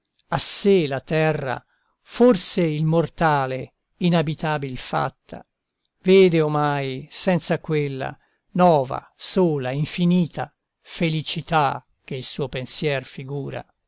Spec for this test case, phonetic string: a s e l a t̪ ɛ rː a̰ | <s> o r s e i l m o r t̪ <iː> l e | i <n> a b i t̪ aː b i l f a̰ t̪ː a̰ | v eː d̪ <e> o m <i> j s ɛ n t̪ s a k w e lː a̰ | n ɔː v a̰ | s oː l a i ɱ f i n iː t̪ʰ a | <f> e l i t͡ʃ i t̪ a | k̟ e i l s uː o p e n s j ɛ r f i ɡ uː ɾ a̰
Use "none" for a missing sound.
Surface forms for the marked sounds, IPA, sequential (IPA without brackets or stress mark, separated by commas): f, aː, n, e, a, f